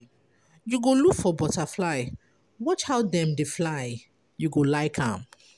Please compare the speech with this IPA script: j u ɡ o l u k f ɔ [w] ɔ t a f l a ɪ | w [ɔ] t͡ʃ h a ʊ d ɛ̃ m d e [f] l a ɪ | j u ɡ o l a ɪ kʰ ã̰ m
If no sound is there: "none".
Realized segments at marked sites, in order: b, ɔ, f

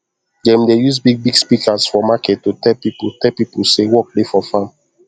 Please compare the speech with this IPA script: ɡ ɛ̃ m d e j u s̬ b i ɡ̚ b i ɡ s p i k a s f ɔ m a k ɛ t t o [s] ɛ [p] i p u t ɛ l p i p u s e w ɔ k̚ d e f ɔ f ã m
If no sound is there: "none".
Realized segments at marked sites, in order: t, p

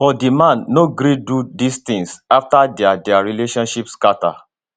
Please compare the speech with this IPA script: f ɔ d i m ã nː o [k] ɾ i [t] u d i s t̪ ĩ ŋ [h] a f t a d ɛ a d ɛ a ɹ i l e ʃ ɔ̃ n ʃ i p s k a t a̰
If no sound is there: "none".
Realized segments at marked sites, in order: ɡ, d, s

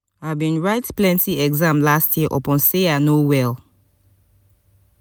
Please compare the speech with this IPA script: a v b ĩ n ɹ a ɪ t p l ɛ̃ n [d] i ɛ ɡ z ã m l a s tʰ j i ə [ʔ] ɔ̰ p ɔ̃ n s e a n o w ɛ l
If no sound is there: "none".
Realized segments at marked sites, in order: t, ʔ

